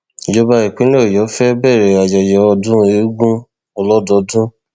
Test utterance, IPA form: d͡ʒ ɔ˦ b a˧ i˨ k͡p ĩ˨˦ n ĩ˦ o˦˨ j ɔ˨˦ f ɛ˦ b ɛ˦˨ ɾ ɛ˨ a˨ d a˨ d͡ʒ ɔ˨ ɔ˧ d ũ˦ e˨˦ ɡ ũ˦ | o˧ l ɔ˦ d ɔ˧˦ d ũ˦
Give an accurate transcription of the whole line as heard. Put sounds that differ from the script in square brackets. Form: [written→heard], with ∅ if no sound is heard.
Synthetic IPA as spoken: d͡ʒ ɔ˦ b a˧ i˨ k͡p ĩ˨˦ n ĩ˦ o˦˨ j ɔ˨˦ f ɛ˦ b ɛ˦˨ ɾ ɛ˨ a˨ [d→d͡ʒ] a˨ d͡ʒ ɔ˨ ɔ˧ d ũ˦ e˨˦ ɡ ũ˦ | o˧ l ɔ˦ d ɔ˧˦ d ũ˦

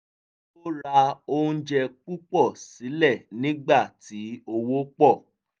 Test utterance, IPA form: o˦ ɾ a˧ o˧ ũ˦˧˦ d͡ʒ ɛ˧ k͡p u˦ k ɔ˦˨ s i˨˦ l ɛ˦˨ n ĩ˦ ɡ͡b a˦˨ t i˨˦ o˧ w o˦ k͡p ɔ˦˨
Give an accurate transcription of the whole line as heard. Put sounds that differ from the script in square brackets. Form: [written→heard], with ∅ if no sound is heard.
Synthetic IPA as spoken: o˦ ɾ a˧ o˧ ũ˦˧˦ d͡ʒ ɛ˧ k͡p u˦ [k→k͡p] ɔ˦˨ s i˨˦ l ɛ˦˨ n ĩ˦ ɡ͡b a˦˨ t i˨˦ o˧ w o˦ k͡p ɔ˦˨

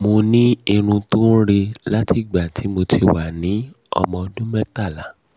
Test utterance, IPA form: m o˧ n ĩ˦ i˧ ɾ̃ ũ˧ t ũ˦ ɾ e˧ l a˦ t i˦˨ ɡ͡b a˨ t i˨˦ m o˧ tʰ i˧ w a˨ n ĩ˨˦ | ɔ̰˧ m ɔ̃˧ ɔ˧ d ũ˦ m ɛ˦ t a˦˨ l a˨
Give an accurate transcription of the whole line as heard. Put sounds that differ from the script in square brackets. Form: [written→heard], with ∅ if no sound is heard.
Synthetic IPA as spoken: m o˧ n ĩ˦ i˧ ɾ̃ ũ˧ t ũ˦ ɾ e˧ l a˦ t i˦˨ ɡ͡b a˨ t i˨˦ m o˧ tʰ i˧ w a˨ n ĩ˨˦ | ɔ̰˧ m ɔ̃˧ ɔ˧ d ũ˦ m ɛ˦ t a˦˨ l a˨

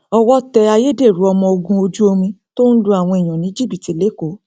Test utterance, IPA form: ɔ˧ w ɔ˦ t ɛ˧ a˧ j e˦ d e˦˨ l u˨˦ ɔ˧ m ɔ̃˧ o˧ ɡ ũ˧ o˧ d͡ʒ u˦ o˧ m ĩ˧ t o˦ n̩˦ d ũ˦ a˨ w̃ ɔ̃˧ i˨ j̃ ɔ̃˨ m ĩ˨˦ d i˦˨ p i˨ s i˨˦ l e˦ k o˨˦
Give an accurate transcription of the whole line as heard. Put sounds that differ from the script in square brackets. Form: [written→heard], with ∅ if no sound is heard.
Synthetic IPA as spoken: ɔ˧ w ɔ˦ t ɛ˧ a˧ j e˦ d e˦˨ [l→ɾ] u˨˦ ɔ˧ m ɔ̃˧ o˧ ɡ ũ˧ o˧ d͡ʒ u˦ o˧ m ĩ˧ t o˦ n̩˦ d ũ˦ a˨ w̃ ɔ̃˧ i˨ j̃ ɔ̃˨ [m→n] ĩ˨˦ [d→d͡ʒ] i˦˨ [p→b] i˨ [s→t] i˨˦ l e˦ k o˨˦

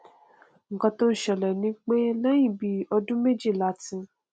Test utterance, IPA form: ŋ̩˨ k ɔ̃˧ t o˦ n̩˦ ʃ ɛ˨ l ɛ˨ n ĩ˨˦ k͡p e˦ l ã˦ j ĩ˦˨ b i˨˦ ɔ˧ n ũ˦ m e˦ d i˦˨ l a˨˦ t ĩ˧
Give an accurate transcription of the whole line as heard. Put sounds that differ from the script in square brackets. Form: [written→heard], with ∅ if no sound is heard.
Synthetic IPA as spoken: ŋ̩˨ k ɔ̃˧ t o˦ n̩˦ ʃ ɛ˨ l ɛ˨ n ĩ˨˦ k͡p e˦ l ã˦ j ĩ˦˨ b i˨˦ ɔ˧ [n→d] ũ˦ m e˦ [d→d͡ʒ] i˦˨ l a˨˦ t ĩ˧

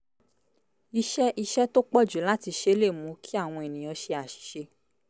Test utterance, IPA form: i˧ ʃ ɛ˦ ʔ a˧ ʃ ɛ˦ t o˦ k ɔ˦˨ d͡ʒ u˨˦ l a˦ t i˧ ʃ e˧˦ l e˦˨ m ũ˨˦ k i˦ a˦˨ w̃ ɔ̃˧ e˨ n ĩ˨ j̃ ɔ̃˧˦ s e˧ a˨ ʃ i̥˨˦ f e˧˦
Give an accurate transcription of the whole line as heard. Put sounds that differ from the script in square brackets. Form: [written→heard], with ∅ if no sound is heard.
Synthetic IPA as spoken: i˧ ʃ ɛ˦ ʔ [a˧→i˧] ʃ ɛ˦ t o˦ [k→k͡p] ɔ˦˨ d͡ʒ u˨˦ l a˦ t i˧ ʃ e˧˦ l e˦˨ m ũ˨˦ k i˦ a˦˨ w̃ ɔ̃˧ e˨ n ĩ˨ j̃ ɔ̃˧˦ [s→ʃ] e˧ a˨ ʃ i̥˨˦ [f→ʃ] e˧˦

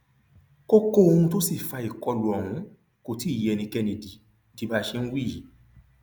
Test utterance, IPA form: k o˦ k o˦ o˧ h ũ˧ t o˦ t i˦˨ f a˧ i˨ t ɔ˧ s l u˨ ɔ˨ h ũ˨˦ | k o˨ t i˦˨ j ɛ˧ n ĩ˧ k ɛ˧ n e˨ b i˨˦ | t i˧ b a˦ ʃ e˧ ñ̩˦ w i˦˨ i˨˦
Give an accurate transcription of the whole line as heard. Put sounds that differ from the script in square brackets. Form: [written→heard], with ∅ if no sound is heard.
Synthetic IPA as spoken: k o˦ k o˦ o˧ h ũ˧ t o˦ [t→s] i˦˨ f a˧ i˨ [t→k] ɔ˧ [s→∅] l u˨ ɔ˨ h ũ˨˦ | k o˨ t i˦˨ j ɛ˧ n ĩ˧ k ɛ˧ n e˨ [b→d] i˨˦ | t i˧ b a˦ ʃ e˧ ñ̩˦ w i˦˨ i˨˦

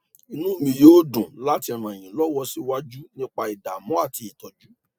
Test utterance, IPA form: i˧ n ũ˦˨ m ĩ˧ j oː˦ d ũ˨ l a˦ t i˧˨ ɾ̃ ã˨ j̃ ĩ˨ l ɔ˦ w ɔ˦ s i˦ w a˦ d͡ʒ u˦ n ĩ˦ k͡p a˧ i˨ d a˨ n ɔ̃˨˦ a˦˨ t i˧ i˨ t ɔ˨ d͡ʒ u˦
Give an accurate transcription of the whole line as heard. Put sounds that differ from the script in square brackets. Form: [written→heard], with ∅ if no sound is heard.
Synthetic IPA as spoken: i˧ n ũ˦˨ m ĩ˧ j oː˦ d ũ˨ l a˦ t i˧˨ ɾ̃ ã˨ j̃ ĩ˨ l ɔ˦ w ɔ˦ s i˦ w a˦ d͡ʒ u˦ n ĩ˦ k͡p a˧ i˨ d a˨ [n→m] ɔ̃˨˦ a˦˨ t i˧ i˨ t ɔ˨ d͡ʒ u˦

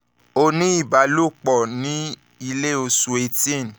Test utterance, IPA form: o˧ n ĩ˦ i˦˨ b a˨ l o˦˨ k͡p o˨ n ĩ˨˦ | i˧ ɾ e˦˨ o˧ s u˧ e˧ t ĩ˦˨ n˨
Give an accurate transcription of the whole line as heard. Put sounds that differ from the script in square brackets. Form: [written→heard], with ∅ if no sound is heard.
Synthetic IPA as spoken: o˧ n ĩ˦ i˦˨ b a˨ l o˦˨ k͡p [o˨→ɔ˨] n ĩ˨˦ | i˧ [ɾ→l] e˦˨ o˧ s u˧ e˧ t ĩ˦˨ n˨

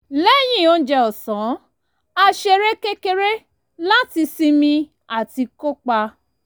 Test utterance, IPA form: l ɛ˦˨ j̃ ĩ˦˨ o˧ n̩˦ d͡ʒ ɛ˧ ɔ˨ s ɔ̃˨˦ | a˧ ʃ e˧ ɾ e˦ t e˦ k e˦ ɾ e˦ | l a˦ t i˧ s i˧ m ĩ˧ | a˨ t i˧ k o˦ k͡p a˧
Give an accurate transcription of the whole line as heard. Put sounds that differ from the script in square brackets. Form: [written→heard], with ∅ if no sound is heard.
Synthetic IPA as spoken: l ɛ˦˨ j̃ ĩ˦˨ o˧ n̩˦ d͡ʒ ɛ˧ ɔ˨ s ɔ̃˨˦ | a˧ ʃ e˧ ɾ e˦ [t→k] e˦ k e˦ ɾ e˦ | l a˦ t i˧ s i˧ m ĩ˧ | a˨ t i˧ k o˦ k͡p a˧

